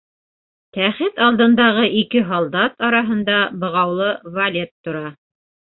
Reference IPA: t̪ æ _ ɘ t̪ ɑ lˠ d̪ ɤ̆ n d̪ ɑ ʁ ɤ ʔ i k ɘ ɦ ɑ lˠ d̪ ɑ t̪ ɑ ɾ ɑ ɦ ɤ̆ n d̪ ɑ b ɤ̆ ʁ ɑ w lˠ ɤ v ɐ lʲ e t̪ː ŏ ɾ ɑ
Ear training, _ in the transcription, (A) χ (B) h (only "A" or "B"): A